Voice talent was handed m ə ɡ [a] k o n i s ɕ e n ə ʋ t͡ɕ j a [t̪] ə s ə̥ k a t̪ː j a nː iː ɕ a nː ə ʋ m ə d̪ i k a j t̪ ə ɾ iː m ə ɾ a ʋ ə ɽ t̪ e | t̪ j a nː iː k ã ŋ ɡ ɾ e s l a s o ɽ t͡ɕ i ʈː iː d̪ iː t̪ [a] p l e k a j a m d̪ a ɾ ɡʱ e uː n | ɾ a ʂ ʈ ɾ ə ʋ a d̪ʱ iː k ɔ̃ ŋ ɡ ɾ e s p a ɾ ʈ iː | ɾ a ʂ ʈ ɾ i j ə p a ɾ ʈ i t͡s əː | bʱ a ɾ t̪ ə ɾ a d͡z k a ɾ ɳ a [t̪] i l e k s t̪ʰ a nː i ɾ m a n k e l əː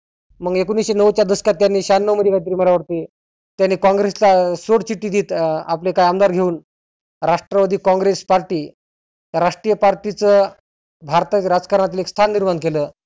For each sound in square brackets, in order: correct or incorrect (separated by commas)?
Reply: incorrect, incorrect, correct, correct